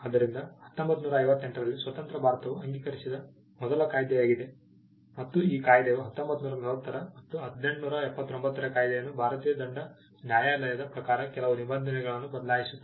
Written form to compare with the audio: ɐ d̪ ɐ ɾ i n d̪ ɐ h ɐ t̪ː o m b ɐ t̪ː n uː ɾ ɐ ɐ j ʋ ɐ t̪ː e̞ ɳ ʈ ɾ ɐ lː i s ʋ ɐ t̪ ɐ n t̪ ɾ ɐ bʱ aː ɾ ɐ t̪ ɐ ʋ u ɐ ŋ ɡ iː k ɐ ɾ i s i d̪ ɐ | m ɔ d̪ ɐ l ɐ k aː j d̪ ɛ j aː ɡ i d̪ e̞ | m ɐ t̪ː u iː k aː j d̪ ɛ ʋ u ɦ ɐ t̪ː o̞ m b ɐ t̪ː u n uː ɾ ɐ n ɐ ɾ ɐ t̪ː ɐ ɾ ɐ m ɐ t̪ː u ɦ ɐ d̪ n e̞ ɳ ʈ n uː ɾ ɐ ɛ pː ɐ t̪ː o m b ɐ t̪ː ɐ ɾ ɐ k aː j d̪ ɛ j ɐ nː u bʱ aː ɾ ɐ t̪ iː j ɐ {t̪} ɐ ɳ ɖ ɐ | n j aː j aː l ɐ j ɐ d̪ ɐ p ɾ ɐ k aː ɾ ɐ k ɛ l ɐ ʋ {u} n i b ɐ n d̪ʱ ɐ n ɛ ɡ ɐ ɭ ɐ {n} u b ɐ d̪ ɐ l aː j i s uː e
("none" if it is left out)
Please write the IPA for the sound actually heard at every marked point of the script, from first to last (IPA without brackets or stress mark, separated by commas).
d̪, u, nː